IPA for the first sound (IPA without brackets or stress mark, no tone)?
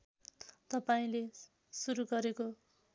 t̪